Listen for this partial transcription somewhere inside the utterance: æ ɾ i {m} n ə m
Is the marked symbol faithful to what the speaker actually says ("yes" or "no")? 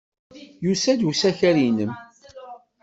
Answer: no